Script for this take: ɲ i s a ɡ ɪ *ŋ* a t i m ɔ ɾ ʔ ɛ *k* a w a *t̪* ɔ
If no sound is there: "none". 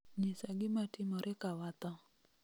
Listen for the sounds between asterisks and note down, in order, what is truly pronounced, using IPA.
m, k, t̪

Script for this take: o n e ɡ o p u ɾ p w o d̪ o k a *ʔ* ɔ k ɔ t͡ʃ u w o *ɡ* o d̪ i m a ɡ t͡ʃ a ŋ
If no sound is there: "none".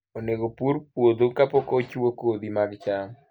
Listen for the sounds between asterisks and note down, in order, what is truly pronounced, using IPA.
p, k

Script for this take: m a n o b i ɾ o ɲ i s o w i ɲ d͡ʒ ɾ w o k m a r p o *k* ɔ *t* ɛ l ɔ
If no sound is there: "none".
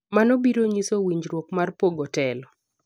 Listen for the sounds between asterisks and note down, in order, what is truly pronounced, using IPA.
ɡ, t

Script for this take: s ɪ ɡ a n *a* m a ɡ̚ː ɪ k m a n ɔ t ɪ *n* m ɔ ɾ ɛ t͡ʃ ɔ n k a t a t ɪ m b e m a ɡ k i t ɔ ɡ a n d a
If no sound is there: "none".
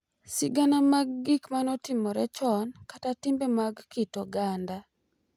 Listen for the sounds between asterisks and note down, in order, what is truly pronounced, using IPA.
a, none

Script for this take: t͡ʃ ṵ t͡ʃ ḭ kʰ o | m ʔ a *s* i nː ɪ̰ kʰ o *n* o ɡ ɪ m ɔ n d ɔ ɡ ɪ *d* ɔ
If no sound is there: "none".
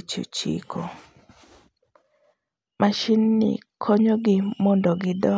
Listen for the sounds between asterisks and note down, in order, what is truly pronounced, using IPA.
ʃ, ɲ, d

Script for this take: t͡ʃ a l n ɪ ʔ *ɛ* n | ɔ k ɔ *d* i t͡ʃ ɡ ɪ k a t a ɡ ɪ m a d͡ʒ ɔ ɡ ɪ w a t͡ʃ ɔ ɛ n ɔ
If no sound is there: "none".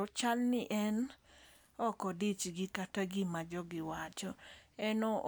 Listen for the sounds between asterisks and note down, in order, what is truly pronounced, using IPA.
ɛ, d

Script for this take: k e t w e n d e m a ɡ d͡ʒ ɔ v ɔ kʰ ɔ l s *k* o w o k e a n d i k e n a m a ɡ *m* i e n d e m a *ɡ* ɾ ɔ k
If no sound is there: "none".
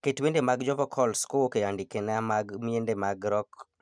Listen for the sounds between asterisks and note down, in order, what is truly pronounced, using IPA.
k, m, ɡ

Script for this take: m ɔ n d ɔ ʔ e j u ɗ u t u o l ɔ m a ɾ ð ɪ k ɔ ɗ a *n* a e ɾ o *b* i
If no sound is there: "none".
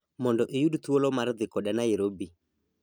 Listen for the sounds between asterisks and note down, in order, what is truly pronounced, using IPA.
n, b

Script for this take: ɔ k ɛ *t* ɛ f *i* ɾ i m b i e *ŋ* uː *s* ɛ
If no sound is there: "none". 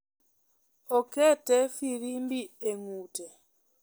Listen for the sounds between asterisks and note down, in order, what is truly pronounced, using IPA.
t, i, ŋ, t

